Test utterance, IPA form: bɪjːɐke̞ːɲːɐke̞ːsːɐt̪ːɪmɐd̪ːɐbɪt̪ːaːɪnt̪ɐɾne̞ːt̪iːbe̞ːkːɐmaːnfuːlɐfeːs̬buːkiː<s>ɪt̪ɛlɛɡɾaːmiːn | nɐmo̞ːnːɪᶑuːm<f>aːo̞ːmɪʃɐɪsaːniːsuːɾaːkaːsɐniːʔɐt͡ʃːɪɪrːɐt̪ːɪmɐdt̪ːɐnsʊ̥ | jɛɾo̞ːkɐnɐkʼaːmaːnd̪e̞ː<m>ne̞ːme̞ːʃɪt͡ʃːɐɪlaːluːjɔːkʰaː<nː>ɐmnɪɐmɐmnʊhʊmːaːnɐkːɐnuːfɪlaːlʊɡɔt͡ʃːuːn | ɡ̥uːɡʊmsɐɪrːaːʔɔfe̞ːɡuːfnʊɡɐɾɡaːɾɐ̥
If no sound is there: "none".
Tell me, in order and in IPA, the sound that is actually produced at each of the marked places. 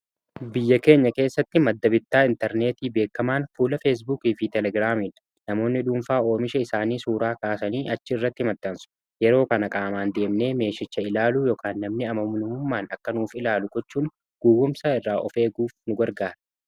f, f, m, nː

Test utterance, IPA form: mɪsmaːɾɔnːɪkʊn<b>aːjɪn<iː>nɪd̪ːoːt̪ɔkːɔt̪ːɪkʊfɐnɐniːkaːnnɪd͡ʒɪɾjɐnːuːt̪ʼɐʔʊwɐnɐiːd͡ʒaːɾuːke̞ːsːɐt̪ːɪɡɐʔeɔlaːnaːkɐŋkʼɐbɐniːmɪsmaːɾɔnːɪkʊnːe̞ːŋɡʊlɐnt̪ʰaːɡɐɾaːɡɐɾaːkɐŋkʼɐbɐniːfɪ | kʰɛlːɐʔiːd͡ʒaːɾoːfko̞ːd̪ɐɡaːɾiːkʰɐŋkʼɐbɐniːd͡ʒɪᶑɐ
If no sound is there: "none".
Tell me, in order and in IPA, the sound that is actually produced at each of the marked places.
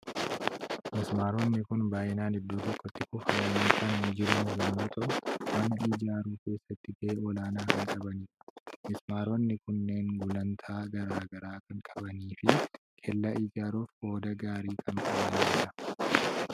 b, aː

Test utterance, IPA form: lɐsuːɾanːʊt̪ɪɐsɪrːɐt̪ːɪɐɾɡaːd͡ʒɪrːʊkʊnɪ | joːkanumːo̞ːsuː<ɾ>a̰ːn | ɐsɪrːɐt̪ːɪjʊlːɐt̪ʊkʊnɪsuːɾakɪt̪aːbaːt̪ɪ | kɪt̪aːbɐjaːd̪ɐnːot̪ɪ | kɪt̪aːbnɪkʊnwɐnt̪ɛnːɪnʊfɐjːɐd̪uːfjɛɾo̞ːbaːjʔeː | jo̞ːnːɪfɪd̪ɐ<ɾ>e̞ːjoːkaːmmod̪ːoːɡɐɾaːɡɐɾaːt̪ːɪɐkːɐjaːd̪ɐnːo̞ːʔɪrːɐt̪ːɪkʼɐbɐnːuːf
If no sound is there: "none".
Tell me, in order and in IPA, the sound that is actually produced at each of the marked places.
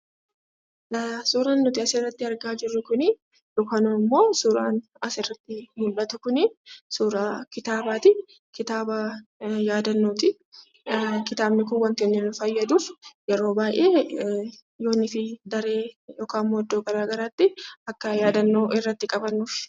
ɾ, ɾ

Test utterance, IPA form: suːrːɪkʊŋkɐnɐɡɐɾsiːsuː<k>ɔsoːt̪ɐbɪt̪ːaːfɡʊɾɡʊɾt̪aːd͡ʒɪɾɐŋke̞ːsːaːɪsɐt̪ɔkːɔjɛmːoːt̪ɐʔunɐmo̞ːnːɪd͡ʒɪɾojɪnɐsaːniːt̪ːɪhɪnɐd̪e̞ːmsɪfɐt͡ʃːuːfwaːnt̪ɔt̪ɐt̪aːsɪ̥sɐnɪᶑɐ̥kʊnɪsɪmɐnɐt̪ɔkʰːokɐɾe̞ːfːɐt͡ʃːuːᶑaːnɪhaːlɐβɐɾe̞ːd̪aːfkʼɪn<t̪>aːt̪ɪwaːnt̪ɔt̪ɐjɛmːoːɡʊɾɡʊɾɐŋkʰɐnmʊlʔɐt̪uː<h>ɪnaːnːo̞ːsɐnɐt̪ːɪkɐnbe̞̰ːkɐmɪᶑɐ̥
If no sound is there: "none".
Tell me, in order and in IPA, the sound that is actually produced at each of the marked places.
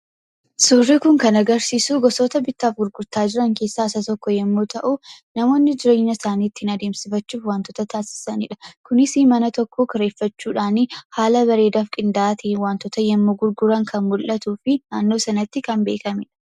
ɡ, d̪, f

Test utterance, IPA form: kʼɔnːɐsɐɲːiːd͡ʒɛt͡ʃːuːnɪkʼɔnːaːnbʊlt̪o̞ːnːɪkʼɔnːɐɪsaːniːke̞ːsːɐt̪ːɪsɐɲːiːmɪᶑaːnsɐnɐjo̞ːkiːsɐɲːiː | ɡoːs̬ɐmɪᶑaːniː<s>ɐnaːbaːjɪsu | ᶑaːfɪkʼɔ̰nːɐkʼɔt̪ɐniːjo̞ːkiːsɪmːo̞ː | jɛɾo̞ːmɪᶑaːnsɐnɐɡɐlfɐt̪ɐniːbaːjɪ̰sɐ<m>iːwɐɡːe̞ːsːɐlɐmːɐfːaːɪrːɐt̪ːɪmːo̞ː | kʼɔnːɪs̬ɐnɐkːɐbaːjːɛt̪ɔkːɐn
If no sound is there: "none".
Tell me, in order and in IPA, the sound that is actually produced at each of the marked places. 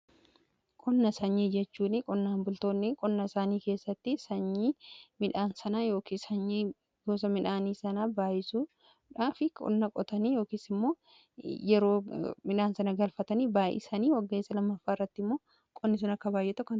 s, n

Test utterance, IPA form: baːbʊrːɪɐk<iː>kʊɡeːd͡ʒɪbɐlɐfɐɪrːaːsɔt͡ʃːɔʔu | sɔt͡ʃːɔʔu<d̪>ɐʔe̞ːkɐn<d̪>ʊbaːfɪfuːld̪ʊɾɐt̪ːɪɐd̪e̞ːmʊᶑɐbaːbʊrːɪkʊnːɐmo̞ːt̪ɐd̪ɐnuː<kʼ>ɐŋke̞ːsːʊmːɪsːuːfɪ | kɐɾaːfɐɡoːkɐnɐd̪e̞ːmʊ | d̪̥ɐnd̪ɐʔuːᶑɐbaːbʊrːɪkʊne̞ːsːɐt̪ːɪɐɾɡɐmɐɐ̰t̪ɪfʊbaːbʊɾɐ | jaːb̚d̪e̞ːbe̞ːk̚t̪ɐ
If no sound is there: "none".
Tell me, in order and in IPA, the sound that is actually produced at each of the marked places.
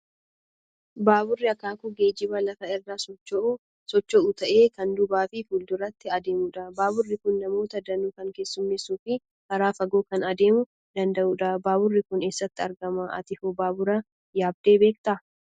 aː, t̪, d̪, k

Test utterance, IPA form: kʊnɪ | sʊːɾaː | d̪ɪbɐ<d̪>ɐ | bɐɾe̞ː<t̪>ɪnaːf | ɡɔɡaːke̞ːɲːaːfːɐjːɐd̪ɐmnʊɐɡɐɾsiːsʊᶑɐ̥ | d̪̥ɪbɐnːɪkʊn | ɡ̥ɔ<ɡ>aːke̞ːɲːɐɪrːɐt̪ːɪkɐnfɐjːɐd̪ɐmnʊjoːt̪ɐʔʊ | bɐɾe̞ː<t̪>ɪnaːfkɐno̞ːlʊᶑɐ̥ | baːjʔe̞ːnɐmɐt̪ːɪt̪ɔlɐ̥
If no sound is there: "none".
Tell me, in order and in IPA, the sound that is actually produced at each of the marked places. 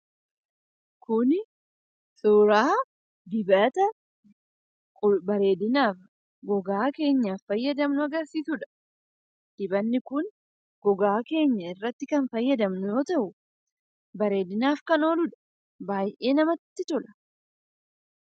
t̪, d̪, ɡ, d̪

